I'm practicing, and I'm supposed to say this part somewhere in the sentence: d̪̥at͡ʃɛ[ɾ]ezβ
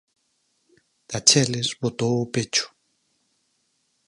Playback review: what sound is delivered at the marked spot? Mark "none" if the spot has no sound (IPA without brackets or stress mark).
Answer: l